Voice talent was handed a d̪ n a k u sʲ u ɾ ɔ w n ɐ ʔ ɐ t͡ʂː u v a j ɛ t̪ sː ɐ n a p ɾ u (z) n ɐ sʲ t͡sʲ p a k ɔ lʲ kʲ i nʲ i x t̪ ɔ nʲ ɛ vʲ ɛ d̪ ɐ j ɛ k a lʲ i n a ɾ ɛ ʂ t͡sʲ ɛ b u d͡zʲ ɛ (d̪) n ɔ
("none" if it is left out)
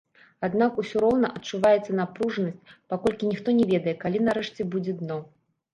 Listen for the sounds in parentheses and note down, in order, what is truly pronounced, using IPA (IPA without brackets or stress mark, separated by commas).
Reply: ʐ, d̪